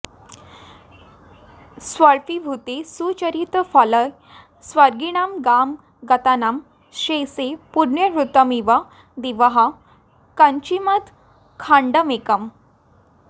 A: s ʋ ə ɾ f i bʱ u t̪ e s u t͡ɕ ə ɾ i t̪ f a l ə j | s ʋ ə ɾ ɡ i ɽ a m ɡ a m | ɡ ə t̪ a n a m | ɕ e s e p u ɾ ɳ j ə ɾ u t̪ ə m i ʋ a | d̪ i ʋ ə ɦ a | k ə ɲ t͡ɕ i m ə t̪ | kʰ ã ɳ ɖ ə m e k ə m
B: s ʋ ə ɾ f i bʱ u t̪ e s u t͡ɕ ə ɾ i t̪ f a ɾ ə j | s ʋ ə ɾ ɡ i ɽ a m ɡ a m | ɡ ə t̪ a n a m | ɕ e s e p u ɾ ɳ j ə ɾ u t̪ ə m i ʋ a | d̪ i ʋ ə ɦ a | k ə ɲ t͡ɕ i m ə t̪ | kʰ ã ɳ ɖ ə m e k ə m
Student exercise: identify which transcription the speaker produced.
A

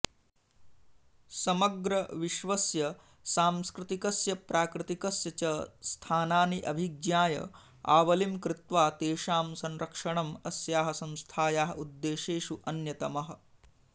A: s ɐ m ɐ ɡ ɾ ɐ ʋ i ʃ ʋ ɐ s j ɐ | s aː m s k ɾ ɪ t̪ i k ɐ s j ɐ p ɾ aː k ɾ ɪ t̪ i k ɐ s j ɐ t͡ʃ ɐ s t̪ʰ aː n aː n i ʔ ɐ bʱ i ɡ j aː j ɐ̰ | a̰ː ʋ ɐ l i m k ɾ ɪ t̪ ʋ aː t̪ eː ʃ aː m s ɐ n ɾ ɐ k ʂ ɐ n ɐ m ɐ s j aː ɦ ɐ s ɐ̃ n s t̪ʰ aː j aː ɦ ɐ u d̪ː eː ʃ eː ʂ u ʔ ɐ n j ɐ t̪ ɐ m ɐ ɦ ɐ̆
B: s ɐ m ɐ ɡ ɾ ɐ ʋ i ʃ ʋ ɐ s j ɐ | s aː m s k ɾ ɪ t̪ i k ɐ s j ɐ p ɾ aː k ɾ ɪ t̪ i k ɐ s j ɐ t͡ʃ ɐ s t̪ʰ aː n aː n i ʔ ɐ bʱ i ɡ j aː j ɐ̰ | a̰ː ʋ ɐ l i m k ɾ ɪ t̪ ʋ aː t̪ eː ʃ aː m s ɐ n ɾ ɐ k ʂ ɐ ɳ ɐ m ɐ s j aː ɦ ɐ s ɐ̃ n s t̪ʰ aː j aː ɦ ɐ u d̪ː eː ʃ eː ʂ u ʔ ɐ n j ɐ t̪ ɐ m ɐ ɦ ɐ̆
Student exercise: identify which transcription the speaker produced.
B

